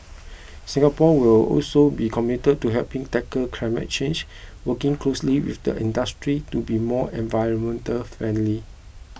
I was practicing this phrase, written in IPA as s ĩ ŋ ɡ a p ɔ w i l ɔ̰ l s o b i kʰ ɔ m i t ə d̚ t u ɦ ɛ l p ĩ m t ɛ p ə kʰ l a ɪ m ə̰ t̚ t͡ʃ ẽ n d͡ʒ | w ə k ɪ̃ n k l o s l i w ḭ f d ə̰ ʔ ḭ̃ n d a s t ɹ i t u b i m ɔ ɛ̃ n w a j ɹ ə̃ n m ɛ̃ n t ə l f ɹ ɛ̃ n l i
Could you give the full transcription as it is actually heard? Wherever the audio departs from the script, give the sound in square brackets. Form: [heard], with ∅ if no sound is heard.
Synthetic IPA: s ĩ ŋ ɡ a p ɔ w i l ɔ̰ l s o b i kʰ ɔ m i t ə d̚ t u ɦ ɛ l p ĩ [ŋ] t ɛ [k] ə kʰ l a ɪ m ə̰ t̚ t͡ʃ ẽ n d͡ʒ | w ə k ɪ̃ [ŋ] k l o s l i w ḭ f d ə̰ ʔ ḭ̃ n d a s t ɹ i t u b i m ɔ ɛ̃ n [v] a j ɹ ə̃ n m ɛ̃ n t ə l f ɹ ɛ̃ n l i